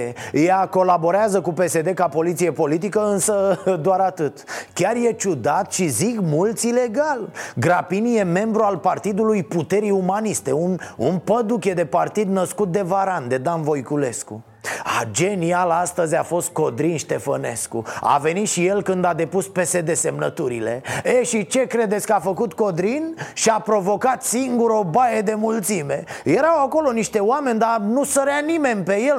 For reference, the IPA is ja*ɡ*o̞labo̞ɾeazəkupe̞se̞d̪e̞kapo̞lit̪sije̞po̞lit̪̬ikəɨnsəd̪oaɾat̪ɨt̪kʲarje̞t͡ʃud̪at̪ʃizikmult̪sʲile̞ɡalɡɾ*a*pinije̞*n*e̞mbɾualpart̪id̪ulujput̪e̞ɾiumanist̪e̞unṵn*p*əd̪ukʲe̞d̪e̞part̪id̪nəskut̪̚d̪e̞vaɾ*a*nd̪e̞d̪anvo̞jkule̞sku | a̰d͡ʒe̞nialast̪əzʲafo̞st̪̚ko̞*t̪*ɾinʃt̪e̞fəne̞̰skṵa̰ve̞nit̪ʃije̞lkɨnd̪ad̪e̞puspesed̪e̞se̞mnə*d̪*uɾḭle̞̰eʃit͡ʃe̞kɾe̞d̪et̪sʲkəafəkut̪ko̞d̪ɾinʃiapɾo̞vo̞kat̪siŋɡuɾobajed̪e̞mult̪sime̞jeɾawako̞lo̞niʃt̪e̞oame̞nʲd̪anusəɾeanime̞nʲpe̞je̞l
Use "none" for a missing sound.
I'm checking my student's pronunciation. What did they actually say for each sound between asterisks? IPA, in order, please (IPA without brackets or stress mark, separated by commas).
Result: k, a, m, p, a, d̪, t̪